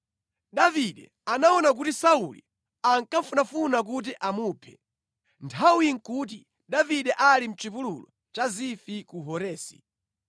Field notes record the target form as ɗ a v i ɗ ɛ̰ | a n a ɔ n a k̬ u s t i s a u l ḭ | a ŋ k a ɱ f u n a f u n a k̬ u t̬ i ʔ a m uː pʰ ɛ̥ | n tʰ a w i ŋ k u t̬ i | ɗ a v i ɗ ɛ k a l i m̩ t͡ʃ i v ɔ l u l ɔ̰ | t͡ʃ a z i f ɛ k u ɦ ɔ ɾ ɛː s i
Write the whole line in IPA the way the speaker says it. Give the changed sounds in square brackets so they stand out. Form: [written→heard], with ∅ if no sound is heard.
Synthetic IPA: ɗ a v i ɗ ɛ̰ | a n a ɔ n a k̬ u [s→∅] t i s a u l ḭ | a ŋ k a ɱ f u n a f u n a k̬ u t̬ i ʔ a m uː pʰ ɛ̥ | n tʰ a w i ŋ k u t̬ i | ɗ a v i ɗ ɛ [k→ʔ] a l i m̩ t͡ʃ i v [ɔ→u] l u l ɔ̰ | t͡ʃ a z i f [ɛ→i] k u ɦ ɔ ɾ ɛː s i